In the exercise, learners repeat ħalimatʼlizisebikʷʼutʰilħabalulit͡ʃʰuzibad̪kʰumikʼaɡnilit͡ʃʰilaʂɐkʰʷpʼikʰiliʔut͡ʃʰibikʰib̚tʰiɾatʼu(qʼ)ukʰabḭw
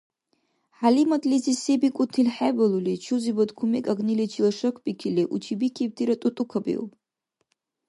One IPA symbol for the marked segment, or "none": tʼ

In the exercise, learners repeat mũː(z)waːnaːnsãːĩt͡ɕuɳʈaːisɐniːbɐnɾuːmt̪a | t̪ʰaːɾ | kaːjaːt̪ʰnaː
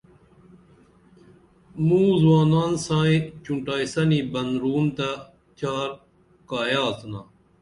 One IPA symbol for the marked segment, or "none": z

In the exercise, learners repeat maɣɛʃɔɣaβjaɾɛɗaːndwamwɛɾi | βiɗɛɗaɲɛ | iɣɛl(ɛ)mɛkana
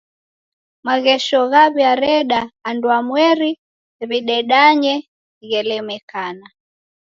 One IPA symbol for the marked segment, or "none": ɛ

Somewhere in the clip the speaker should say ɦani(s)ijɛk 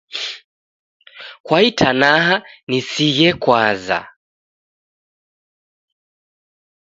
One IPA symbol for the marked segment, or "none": s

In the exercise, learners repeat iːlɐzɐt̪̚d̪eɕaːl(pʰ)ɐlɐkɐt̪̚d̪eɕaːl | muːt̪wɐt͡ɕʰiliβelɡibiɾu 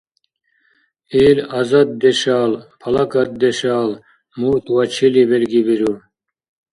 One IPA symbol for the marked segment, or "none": pʰ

